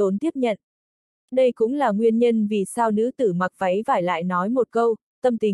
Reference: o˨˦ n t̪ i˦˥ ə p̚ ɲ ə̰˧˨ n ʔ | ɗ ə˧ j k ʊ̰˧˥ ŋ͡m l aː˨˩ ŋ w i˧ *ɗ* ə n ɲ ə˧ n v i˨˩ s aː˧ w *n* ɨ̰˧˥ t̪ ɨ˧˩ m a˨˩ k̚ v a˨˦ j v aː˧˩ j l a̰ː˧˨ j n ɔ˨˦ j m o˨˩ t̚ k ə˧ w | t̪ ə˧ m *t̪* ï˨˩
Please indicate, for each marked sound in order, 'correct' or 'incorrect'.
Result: incorrect, correct, correct

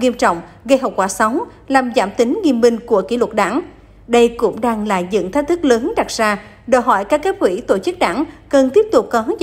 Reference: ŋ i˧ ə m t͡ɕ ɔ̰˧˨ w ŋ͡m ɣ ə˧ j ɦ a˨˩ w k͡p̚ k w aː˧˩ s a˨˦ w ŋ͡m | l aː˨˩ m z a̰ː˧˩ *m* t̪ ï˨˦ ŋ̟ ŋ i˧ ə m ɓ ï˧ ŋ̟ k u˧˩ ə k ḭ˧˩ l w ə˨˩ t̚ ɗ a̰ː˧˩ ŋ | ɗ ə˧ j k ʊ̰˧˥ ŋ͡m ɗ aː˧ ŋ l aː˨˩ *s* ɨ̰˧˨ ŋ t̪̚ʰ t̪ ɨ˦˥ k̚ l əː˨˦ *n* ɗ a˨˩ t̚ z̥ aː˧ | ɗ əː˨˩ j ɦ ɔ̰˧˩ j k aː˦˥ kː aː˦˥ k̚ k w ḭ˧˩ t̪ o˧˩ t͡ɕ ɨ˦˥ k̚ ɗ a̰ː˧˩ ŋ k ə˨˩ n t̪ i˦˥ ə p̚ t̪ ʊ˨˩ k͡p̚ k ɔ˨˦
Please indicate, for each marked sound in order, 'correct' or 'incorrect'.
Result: correct, incorrect, correct

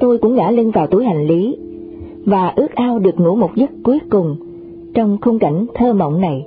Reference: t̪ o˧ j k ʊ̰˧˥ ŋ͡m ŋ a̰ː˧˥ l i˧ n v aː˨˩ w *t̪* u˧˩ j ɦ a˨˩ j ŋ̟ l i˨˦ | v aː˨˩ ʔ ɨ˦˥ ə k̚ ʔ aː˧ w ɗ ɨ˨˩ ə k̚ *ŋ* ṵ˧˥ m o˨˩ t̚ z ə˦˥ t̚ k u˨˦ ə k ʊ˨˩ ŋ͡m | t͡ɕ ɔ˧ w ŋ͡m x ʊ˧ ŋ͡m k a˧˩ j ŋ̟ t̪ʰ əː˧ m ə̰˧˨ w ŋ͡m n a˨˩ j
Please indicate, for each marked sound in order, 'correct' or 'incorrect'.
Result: correct, correct

